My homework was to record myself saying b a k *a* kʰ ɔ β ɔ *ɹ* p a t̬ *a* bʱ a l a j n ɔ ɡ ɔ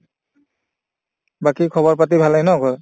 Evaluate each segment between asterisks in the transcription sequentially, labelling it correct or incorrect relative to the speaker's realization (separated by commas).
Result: incorrect, correct, incorrect